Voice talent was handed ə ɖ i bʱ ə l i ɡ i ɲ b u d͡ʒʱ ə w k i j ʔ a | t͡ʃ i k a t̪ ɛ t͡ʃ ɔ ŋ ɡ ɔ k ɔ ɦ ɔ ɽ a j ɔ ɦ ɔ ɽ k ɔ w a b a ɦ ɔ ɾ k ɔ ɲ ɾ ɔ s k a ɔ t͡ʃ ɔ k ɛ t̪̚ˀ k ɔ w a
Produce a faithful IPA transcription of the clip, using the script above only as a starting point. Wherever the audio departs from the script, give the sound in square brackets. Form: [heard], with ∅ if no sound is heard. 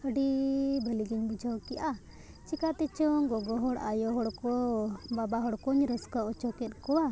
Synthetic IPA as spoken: ə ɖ i bʱ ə l i ɡ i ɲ b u d͡ʒʱ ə w k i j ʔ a | t͡ʃ i k a t̪ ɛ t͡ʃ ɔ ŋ ɡ ɔ [ɡ] ɔ ɦ ɔ ɽ a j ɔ ɦ ɔ ɽ k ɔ [b] a b a ɦ ɔ [ɽ] k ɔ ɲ ɾ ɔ s k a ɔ t͡ʃ ɔ k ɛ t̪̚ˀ k ɔ w a

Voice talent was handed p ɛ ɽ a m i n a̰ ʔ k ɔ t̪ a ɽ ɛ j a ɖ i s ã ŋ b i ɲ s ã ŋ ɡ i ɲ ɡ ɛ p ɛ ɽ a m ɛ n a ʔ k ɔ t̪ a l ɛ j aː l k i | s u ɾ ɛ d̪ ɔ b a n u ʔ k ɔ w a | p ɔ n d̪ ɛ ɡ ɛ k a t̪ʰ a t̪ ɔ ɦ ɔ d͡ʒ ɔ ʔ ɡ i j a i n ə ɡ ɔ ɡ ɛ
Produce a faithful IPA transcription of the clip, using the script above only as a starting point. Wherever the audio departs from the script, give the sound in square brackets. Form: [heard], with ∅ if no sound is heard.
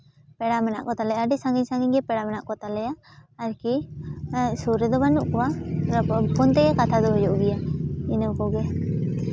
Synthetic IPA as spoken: p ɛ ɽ a m [ɛ] n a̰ ʔ k ɔ t̪ a [l] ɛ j a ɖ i s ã ŋ [ɡ] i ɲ s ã ŋ ɡ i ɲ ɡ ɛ p ɛ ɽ a m ɛ n a ʔ k ɔ t̪ a l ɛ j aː [ɾ] k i | s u ɾ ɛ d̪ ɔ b a n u ʔ k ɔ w a | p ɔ n [t̪] ɛ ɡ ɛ k a t̪ʰ a [d̪] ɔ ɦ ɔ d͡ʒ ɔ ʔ ɡ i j a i n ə [k] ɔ ɡ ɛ

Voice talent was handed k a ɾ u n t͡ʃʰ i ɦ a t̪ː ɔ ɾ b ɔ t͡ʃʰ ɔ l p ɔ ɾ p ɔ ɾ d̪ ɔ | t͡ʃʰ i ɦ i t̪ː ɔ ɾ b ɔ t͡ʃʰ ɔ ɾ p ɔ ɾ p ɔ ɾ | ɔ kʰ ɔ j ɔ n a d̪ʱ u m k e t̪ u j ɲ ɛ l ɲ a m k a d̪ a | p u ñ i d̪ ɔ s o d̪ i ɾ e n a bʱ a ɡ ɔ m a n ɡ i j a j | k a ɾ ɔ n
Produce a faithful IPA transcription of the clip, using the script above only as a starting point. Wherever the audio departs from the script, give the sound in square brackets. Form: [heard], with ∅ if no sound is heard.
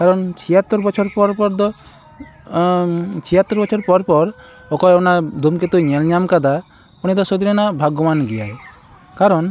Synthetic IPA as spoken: k a ɾ [ɔ] n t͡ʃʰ i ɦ a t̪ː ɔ ɾ b ɔ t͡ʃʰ ɔ [ɾ] p ɔ ɾ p ɔ ɾ d̪ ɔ | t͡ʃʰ i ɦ [a] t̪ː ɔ ɾ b ɔ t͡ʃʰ ɔ ɾ p ɔ ɾ p ɔ ɾ | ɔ [k] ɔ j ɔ n a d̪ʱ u m k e t̪ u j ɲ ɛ l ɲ a m k a d̪ a | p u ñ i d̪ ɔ s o d̪ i ɾ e n a bʱ a ɡ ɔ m a n ɡ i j a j | k a ɾ ɔ n

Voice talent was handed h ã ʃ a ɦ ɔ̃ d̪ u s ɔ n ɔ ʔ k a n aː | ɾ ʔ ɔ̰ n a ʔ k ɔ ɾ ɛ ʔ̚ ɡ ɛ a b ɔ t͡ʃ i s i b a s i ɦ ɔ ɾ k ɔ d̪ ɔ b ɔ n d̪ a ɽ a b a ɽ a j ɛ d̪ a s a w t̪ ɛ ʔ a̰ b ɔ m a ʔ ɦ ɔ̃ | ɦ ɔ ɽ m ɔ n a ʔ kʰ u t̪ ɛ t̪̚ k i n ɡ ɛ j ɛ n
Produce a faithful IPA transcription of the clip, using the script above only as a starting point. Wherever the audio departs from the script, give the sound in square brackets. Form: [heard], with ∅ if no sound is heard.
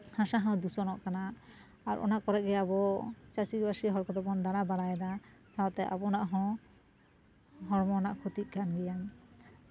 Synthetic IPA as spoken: h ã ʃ a ɦ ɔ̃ d̪ u s ɔ n ɔ ʔ k a n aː | ɾ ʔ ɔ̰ n a ʔ k ɔ ɾ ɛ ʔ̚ ɡ ɛ a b ɔ t͡ʃ [a] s i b a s i ɦ ɔ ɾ k ɔ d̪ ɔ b ɔ n d̪ a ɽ a b a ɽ a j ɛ d̪ a s a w t̪ ɛ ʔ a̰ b ɔ [n] a ʔ ɦ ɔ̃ | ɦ ɔ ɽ m ɔ n a ʔ kʰ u t̪ [i] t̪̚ k [a] n ɡ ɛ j [a] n

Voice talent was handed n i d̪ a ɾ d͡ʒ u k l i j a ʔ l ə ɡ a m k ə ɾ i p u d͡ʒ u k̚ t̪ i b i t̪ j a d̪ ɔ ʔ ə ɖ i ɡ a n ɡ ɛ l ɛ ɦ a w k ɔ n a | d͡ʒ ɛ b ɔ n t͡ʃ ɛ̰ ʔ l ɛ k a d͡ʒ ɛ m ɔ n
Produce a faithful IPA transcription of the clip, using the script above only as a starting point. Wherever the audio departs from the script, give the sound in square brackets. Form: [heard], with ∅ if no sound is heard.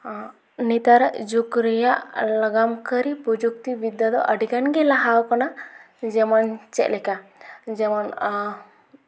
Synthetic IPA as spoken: n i [t̪] a ɾ d͡ʒ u k [ɾ] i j a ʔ l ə ɡ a m k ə ɾ i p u d͡ʒ u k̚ t̪ i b i [d̪] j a d̪ ɔ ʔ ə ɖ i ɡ a n ɡ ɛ l [a] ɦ a w k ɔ n a | d͡ʒ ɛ [m] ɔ n t͡ʃ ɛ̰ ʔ l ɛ k a d͡ʒ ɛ m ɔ n

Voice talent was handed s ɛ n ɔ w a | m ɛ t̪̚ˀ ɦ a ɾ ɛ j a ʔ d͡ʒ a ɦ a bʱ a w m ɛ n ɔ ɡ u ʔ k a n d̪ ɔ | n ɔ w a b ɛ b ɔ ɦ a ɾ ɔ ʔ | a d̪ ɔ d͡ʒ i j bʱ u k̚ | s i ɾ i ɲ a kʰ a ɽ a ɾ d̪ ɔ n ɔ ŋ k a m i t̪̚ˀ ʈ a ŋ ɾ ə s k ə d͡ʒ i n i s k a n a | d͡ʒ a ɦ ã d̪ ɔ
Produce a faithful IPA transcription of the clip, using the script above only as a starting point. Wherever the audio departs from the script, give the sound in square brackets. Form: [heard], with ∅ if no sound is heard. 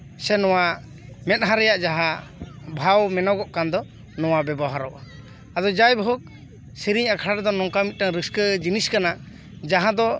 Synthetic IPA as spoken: s ɛ n ɔ w a | m ɛ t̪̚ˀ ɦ a ɾ ɛ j a ʔ d͡ʒ a ɦ a bʱ a w m ɛ n ɔ ɡ [ɔ] ʔ k a n d̪ ɔ | n ɔ w a b ɛ b ɔ ɦ a ɾ ɔ ʔ | a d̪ ɔ d͡ʒ [a] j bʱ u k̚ | s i ɾ i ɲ a kʰ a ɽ a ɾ d̪ ɔ n ɔ ŋ k a m i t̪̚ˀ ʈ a ŋ ɾ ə s k ə d͡ʒ i n i s k a n a | d͡ʒ a ɦ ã d̪ ɔ

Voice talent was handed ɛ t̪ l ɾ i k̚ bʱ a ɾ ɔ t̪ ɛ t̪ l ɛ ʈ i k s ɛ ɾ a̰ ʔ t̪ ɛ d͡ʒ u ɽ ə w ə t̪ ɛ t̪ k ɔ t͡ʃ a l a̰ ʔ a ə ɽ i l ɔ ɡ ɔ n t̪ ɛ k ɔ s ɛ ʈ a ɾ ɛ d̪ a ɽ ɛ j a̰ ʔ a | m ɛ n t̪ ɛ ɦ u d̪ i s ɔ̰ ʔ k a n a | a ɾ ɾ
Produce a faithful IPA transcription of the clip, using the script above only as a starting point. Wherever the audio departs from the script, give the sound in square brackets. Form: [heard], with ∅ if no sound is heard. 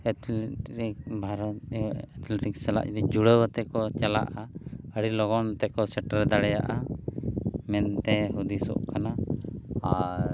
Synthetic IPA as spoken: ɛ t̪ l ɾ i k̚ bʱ a ɾ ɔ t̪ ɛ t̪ l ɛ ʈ i k s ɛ [l] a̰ ʔ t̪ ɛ d͡ʒ u ɽ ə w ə t̪ ɛ [∅] k ɔ t͡ʃ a l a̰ ʔ a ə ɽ i l ɔ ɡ ɔ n t̪ ɛ k ɔ s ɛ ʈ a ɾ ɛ d̪ a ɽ ɛ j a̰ ʔ a | m ɛ n t̪ ɛ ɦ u d̪ i s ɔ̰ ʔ k a n a | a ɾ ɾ

